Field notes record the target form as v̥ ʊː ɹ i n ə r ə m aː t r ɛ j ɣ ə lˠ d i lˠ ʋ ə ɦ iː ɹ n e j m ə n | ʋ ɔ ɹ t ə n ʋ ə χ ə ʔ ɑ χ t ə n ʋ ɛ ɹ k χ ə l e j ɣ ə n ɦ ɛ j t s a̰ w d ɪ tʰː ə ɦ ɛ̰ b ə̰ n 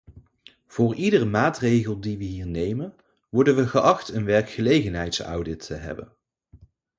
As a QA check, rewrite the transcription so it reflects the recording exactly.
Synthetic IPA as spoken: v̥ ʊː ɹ i d ə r ə m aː t r e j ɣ ə lˠ d i ʋ ə ɦ iː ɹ n e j m ə n | ʋ ɔ ɹ d ə n ʋ ə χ ə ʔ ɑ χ t ə n ʋ ɛ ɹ k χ ə l e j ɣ ə n ɦ ɛ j t s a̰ w d ɪ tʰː ə ɦ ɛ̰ b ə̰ n